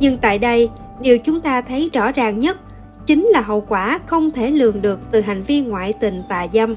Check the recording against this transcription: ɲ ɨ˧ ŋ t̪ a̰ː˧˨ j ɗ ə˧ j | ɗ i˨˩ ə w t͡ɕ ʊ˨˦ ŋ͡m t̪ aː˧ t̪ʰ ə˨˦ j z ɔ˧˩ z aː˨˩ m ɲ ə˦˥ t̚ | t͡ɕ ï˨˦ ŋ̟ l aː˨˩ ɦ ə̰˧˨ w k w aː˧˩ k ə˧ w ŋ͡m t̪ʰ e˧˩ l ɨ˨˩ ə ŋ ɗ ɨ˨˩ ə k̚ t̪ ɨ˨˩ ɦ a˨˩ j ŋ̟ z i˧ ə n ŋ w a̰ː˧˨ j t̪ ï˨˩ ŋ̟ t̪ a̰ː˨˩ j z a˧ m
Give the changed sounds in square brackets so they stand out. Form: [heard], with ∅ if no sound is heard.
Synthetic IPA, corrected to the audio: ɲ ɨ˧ ŋ t̪ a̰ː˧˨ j ɗ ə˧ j | ɗ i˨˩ ə w t͡ɕ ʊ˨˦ ŋ͡m t̪ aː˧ t̪ʰ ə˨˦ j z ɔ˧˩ z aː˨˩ [ŋ] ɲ ə˦˥ t̚ | t͡ɕ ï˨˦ ŋ̟ l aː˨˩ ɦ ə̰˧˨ w k w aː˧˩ [x] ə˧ w ŋ͡m t̪ʰ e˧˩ l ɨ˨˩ ə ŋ ɗ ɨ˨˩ ə k̚ t̪ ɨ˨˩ ɦ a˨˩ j ŋ̟ [v] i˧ ə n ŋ w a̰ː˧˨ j t̪ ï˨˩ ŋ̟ t̪ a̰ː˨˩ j z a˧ m